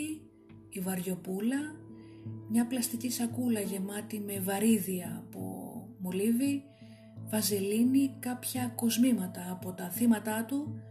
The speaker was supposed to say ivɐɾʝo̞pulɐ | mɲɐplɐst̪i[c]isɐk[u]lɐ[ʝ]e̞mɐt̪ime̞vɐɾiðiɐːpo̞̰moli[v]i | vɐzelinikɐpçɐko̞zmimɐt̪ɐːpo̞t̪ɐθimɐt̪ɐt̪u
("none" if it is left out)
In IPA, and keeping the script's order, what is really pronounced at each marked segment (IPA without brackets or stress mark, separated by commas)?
c, u, ʝ, v